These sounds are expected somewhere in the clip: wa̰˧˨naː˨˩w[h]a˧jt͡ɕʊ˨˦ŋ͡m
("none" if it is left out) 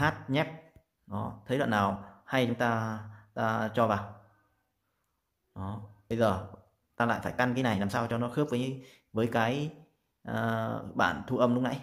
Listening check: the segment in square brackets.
h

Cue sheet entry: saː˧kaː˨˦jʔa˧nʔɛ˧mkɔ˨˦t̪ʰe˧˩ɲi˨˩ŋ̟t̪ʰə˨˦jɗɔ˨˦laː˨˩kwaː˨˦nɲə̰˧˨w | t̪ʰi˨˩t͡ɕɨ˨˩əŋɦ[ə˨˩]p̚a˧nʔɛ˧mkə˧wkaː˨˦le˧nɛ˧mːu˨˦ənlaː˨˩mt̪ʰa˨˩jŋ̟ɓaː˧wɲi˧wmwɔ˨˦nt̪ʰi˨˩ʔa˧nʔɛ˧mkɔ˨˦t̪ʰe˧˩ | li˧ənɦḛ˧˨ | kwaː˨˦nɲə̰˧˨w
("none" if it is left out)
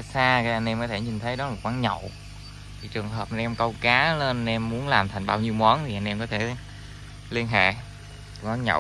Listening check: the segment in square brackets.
əː˨˩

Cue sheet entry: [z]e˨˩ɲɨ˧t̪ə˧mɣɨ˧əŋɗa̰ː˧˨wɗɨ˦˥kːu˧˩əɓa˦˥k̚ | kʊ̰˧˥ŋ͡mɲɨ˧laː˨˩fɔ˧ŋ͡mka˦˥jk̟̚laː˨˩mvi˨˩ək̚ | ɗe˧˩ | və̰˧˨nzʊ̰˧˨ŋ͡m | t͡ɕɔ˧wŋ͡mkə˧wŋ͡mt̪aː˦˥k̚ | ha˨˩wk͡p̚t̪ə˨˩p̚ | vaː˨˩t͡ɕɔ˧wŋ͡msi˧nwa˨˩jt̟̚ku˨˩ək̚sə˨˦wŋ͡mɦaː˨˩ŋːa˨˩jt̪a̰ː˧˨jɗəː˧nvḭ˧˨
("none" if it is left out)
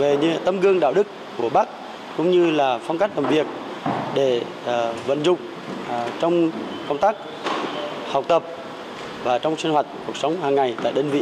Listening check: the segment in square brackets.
v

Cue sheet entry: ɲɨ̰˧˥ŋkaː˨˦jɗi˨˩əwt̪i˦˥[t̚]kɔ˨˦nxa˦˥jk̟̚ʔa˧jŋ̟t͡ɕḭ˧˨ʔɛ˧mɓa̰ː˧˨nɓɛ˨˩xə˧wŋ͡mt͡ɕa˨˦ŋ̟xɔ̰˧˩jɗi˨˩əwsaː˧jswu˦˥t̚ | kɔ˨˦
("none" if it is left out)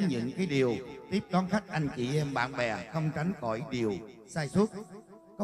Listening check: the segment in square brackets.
p̚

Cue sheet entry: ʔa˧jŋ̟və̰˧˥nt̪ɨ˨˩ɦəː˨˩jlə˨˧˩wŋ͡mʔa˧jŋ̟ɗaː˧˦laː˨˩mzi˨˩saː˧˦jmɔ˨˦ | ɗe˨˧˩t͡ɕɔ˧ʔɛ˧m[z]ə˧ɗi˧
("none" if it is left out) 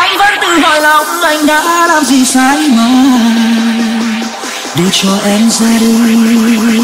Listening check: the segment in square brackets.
z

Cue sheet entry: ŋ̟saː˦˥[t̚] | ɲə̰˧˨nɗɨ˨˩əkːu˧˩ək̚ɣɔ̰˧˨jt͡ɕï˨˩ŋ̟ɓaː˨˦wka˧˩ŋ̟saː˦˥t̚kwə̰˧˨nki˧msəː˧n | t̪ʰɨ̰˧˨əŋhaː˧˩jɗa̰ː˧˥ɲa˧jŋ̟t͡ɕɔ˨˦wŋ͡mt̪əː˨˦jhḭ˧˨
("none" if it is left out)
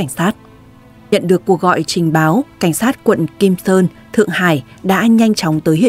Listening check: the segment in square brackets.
t̚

